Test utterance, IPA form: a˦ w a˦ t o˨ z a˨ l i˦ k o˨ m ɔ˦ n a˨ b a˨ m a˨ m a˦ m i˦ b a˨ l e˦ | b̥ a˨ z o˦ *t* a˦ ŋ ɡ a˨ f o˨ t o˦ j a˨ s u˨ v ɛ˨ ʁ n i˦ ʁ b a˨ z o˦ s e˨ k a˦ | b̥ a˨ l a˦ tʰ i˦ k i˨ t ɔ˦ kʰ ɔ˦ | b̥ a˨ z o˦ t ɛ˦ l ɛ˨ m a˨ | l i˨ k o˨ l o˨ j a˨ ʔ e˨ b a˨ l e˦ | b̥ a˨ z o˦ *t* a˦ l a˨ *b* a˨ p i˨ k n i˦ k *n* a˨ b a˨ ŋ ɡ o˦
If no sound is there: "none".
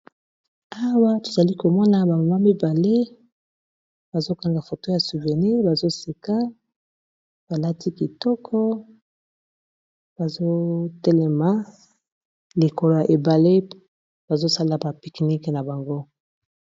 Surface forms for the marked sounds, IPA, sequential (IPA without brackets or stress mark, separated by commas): k, s, b, n